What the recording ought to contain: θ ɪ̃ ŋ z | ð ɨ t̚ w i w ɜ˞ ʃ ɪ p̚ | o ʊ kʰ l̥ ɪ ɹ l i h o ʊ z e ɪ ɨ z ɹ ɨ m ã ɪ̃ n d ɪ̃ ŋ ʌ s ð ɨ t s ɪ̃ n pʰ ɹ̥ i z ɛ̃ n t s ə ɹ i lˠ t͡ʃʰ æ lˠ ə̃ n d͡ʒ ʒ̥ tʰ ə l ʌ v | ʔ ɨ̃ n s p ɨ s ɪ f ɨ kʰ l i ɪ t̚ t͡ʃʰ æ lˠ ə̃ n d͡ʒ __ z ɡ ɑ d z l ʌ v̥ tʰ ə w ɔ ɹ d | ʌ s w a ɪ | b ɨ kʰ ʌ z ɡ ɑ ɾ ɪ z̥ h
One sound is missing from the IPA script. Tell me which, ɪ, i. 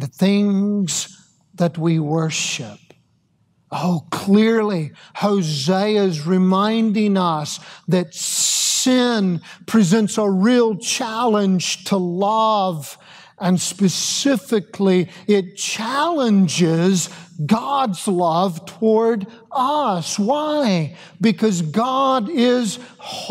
ɪ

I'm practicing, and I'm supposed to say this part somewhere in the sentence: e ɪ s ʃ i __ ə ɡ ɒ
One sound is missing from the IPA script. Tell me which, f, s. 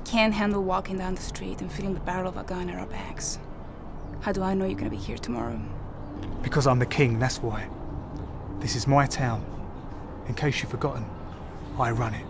f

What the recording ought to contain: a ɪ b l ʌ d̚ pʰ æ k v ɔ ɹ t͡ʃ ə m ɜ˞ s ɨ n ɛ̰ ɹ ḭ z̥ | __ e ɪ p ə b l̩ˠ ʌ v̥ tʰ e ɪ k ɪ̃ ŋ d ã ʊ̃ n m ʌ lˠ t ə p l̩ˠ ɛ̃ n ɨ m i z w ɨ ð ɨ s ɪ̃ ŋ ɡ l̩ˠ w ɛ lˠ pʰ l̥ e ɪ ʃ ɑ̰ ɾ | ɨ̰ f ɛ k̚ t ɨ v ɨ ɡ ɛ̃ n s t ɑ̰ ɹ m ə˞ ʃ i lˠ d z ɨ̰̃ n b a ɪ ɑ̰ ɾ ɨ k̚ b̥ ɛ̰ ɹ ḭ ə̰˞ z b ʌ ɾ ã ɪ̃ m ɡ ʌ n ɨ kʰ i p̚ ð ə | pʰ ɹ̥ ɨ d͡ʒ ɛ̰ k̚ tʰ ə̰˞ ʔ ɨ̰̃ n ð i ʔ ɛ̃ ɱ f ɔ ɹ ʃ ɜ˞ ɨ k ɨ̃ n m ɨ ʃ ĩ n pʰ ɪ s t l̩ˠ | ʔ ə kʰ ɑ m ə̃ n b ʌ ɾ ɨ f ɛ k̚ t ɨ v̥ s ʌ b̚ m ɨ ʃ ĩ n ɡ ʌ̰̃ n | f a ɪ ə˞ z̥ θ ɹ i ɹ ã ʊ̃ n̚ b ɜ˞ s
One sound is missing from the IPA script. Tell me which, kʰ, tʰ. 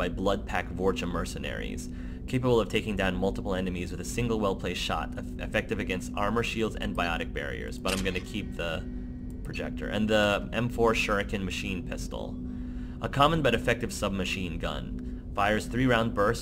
kʰ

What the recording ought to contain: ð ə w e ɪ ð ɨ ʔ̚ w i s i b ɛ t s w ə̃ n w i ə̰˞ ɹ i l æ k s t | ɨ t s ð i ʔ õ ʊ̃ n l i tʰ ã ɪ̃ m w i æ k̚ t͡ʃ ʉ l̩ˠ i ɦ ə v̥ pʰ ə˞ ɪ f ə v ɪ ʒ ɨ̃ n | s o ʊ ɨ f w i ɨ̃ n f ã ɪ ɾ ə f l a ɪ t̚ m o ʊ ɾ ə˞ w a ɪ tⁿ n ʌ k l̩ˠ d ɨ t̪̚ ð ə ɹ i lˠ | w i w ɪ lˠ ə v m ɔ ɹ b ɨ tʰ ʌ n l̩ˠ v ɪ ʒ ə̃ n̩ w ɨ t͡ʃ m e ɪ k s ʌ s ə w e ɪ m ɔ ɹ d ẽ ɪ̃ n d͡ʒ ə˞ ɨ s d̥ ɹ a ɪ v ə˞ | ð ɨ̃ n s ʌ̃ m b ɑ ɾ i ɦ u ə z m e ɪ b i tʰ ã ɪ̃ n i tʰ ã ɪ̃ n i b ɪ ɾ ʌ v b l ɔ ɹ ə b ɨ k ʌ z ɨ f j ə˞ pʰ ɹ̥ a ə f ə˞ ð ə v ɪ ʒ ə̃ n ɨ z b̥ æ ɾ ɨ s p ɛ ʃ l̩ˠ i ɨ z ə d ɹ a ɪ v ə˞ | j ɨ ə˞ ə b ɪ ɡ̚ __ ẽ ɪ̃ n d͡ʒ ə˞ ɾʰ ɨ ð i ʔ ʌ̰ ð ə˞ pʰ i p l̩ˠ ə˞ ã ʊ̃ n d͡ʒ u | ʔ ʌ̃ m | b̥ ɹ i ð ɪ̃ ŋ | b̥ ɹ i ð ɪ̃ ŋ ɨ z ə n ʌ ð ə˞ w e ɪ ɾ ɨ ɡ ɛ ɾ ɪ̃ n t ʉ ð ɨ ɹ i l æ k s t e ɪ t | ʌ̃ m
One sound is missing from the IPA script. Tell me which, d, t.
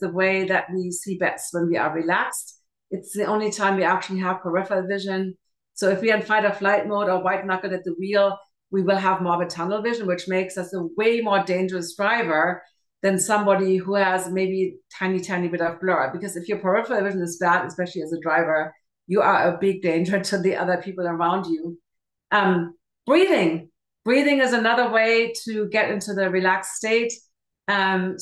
d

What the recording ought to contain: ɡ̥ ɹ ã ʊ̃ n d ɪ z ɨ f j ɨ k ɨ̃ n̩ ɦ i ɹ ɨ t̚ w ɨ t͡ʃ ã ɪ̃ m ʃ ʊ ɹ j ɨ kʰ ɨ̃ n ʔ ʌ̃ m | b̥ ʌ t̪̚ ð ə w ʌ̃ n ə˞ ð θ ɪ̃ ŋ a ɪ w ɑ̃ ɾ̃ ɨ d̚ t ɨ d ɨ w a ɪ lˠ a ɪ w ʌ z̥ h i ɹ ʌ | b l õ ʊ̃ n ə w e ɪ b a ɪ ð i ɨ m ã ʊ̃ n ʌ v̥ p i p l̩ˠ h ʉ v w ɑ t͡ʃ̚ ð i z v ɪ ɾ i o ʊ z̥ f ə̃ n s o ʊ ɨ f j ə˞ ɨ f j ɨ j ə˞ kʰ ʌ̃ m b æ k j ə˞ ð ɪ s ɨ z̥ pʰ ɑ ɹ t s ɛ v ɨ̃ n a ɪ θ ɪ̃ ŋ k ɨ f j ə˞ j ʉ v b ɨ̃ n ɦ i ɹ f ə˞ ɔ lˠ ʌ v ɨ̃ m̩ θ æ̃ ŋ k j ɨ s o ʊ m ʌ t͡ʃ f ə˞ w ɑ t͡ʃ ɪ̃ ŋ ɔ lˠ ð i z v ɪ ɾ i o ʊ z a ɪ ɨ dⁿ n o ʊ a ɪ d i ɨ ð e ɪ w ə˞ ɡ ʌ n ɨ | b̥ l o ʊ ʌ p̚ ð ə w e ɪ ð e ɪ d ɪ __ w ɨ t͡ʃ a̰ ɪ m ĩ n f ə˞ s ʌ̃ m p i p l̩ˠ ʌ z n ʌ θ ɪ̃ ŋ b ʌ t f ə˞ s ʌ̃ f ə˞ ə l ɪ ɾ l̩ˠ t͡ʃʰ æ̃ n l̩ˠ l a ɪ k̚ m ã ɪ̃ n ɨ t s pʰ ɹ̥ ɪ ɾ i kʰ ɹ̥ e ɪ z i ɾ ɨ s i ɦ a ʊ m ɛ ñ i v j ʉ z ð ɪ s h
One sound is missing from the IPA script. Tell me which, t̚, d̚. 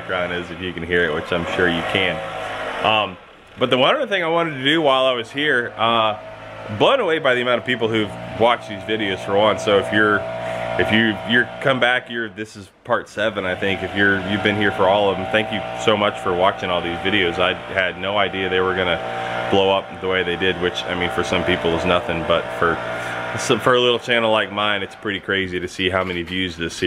d̚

